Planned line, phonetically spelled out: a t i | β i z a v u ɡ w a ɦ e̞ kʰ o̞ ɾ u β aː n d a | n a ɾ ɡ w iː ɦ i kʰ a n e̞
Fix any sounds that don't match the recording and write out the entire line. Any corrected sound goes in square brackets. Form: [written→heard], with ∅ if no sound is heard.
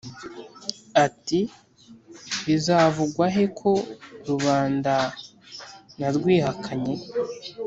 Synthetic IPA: a t i | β i z a v u ɡ w a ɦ e̞ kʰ o̞ ɾ u β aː n d a | n a ɾ ɡ w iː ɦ [i→a] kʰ a [n→ɲ] e̞